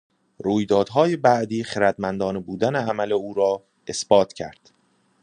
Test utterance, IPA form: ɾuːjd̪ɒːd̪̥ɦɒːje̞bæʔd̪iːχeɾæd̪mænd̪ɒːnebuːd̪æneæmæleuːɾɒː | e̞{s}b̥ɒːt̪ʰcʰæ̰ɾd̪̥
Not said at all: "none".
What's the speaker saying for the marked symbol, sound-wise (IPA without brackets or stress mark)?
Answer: s